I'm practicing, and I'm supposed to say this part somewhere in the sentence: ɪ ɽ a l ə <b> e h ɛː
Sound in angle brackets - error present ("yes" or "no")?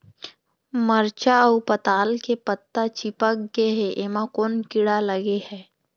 yes